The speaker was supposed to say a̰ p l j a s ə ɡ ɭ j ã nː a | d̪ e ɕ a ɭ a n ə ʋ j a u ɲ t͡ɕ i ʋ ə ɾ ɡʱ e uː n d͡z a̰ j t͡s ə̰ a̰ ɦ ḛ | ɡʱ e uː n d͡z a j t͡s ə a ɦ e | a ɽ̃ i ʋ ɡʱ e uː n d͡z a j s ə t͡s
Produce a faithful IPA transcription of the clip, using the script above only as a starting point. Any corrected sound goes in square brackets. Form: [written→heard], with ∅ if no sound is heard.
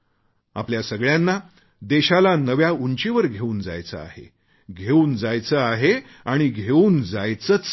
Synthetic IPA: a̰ p l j a s ə ɡ ɭ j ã nː a | d̪ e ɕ a [ɭ→l] a n ə ʋ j a u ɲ t͡ɕ [i→e] ʋ ə ɾ ɡʱ e uː n d͡z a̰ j t͡s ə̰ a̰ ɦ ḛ | ɡʱ e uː n d͡z a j t͡s ə a ɦ e | a ɽ̃ i [ʋ→∅] ɡʱ e uː n d͡z a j [s→t͡s] ə t͡s